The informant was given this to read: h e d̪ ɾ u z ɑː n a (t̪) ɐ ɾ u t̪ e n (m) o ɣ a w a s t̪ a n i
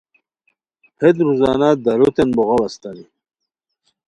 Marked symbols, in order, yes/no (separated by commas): no, no